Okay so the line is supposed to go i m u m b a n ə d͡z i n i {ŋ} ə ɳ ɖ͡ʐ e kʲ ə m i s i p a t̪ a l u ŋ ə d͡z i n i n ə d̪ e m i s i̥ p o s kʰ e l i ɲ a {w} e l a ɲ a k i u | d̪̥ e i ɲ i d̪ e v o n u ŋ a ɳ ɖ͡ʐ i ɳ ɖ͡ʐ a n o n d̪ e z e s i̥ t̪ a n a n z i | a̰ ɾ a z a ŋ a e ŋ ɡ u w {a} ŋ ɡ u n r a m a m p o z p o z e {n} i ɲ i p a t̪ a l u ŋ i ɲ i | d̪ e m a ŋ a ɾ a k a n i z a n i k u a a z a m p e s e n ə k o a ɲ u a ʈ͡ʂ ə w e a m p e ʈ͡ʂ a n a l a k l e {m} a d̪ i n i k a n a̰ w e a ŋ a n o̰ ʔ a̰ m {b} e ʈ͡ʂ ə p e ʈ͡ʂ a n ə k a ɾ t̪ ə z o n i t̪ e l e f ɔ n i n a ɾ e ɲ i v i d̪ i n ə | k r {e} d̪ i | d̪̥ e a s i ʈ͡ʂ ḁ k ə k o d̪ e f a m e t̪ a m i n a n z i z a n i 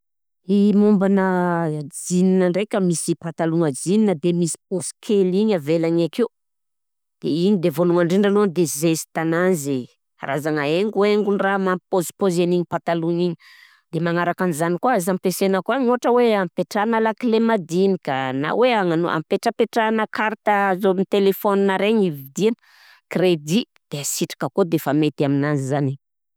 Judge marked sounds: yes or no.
no, no, no, yes, yes, no, yes

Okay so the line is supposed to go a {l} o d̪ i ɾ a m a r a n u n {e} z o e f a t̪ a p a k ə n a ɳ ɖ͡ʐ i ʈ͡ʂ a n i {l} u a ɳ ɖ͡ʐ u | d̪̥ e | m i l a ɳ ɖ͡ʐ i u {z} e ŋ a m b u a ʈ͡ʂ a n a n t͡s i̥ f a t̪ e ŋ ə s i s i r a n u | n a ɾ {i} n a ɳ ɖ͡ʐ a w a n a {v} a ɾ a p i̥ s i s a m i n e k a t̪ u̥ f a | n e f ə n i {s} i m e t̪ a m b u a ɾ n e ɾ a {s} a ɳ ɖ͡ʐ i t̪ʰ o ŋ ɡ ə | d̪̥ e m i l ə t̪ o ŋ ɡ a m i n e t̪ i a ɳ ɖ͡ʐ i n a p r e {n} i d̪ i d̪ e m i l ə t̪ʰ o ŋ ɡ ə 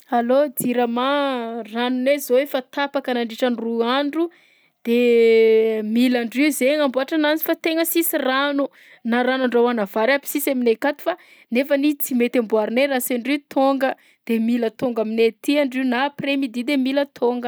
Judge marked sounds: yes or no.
yes, yes, no, yes, no, yes, no, yes, no

